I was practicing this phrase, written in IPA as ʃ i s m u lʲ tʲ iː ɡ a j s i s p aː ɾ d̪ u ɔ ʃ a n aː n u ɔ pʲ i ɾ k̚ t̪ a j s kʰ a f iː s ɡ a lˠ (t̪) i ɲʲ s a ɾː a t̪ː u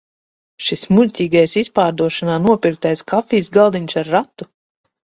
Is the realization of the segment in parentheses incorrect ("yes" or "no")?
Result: yes